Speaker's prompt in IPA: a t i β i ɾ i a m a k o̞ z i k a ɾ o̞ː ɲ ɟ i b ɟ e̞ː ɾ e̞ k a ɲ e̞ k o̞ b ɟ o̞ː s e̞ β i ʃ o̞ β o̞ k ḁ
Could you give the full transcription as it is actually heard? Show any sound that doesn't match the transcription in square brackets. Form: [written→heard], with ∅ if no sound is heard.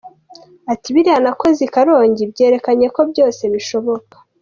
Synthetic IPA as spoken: a t i β i ɾ i a [m→n] a k o̞ z i k a ɾ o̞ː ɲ ɟ i b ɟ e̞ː ɾ e̞ k a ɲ e̞ k o̞ b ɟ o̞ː s e̞ β i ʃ o̞ β o̞ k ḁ